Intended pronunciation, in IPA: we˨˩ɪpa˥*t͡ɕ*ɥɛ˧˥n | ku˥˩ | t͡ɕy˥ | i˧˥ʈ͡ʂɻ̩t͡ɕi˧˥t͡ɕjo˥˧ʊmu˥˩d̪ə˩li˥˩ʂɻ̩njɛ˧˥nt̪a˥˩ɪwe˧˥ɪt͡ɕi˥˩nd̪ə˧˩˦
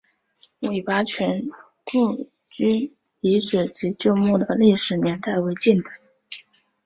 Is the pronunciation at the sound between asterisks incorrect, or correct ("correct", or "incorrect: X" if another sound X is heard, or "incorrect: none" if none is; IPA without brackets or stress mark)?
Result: incorrect: t͡ɕʰ